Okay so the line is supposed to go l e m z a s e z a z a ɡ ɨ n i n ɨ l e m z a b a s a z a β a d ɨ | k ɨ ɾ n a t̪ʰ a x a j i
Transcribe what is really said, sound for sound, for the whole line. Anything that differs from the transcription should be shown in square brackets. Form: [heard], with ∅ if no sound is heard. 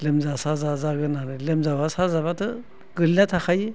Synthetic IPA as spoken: l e m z a s [a] z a z a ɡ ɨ n [a] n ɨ l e m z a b a s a z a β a [t] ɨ | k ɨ [l] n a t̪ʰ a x a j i